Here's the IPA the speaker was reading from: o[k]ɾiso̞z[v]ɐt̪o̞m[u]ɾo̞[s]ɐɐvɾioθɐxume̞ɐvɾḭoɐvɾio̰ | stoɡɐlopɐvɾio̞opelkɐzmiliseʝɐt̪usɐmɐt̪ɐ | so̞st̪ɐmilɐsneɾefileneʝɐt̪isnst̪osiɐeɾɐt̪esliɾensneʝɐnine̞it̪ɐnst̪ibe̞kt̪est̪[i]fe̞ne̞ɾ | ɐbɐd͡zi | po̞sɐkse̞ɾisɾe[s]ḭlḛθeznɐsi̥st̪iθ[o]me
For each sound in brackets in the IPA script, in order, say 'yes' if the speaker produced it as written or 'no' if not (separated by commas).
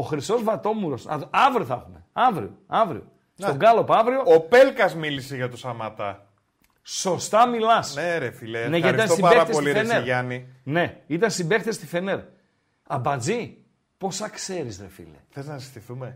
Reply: no, yes, yes, yes, yes, no, no